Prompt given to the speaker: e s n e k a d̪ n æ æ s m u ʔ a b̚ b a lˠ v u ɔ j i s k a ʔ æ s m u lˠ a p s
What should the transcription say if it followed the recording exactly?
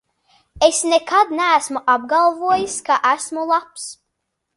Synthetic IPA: e s n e k a d̪ n æ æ s m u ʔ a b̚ ɡ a lˠ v u ɔ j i s k a ʔ æ s m u lˠ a p s